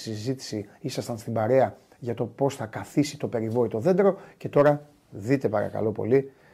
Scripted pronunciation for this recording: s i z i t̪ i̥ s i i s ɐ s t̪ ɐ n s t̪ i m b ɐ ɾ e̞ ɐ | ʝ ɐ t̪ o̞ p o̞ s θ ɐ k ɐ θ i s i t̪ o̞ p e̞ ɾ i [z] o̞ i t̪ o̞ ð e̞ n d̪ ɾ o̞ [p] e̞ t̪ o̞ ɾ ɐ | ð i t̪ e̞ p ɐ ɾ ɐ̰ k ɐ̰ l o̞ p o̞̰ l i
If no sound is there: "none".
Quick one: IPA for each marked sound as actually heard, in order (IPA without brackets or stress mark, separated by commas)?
v, c